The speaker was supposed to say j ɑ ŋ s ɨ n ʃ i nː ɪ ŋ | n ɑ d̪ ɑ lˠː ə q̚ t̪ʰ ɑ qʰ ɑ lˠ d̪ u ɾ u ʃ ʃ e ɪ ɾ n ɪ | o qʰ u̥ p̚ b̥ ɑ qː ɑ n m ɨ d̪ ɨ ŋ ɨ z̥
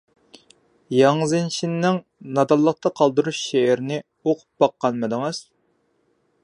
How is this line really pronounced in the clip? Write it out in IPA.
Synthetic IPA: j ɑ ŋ z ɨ n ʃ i nː ɪ ŋ | n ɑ d̪ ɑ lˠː ə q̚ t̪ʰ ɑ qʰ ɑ lˠ d̪ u ɾ u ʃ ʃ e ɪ ɾ n ɪ | o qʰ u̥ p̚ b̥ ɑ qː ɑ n m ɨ d̪ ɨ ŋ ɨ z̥